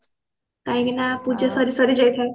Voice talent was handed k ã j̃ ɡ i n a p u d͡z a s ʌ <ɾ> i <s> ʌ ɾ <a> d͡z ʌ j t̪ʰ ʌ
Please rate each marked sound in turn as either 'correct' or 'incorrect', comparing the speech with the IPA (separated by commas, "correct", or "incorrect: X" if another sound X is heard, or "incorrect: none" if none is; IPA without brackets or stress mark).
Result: correct, correct, incorrect: i